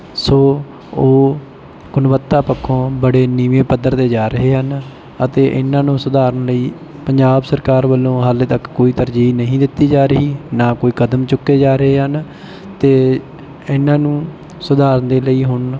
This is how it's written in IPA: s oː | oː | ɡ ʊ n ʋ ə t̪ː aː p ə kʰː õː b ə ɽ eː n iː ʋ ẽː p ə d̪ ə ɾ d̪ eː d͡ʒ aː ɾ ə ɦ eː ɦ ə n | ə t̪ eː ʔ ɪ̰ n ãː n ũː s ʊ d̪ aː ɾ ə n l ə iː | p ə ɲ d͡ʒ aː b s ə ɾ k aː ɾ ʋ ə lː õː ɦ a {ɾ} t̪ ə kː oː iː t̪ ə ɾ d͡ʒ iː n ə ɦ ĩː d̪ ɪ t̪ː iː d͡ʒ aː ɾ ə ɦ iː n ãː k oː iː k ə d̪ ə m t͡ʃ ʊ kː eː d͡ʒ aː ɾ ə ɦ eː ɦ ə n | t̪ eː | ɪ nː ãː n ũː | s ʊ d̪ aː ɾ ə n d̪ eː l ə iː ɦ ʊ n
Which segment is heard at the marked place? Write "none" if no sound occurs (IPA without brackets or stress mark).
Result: l